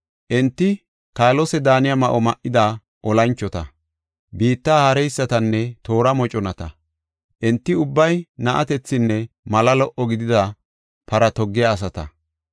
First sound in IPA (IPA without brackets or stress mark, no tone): ʔ